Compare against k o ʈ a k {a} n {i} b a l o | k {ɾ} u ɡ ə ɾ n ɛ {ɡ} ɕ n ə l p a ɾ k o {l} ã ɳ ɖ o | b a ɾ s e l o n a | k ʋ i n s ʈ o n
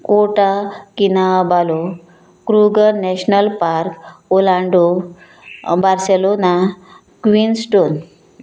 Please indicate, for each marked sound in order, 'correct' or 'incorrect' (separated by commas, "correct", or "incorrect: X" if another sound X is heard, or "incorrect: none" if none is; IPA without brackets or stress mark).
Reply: incorrect: i, incorrect: a, correct, incorrect: none, correct